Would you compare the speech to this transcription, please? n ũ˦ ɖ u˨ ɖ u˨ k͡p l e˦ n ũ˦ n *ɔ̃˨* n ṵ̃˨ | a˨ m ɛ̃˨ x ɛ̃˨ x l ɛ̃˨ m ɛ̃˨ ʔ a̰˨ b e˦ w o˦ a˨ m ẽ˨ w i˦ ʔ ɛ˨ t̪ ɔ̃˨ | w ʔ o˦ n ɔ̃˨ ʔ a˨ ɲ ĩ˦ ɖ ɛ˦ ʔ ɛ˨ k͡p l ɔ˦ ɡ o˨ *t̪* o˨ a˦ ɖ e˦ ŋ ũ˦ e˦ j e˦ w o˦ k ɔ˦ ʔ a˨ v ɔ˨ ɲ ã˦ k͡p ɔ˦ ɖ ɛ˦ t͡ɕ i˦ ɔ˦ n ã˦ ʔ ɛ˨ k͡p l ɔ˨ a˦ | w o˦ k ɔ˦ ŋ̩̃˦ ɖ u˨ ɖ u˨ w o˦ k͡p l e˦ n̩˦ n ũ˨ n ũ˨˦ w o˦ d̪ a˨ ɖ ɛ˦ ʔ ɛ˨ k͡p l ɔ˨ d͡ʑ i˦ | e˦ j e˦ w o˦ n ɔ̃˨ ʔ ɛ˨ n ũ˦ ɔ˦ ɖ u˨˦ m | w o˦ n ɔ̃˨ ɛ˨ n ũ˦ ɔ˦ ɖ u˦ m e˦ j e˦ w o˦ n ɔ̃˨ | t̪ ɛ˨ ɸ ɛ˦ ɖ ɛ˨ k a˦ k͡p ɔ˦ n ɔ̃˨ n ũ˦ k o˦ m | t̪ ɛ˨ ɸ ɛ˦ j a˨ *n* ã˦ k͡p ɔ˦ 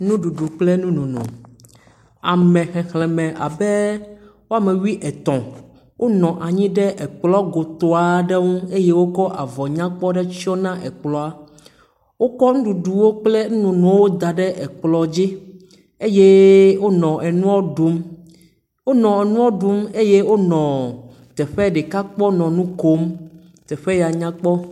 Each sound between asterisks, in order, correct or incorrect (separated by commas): incorrect, correct, incorrect